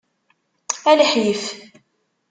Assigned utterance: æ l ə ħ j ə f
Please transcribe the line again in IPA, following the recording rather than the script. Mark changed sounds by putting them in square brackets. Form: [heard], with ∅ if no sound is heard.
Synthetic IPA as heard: æ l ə ħ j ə f